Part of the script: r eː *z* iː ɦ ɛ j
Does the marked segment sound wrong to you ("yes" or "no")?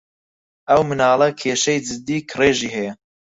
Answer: yes